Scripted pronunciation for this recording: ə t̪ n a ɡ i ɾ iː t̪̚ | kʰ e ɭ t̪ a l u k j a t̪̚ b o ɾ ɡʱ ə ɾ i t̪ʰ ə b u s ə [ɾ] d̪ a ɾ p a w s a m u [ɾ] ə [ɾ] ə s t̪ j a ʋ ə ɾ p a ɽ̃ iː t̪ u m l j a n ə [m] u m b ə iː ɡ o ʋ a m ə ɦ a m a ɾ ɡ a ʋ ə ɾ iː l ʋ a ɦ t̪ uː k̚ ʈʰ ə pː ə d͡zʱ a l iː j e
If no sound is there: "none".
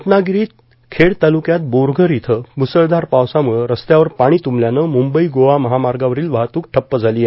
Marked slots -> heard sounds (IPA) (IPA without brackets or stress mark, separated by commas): ɭ, ɭ, ɾ, m